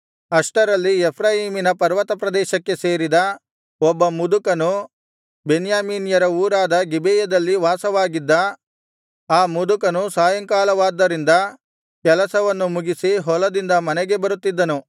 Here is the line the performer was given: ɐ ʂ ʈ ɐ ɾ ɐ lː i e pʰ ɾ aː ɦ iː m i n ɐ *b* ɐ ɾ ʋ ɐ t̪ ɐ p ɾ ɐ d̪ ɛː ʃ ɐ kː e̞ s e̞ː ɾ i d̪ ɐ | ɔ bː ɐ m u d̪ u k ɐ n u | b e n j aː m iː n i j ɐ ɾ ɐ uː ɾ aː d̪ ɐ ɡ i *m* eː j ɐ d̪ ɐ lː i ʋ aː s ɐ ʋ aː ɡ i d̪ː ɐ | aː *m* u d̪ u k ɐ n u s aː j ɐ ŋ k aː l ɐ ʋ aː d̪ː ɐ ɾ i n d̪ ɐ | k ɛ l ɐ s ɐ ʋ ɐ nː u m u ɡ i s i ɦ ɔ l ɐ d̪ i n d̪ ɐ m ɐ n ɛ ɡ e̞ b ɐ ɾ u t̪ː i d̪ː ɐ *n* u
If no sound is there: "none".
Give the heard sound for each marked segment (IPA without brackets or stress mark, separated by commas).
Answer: p, b, m, n